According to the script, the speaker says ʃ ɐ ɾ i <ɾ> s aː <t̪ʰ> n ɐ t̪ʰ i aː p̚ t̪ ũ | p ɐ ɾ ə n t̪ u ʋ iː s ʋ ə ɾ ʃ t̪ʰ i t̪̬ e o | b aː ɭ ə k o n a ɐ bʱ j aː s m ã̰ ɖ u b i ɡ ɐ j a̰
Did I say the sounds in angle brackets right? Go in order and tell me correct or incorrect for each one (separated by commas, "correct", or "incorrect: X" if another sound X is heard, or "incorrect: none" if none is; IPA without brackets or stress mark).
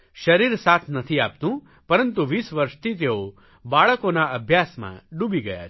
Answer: correct, correct